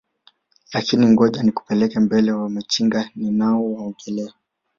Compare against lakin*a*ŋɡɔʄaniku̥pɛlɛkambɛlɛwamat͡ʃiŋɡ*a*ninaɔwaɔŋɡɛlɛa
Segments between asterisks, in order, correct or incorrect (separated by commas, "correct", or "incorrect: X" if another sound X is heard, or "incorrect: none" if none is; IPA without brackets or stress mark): incorrect: i, correct